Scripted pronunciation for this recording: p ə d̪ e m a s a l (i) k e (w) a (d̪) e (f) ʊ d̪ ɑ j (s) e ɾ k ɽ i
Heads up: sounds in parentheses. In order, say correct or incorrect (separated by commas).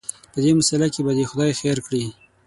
incorrect, incorrect, correct, incorrect, incorrect